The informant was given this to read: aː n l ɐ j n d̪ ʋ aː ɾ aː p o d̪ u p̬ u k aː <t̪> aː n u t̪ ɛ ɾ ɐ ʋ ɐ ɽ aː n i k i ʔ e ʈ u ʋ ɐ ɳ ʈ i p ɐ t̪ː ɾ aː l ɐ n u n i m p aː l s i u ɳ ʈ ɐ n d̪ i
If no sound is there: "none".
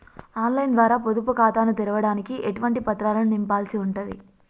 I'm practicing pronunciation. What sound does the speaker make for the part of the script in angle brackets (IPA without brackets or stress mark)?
t̪